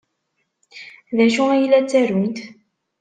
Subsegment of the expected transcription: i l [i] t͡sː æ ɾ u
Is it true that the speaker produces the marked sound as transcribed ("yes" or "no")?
no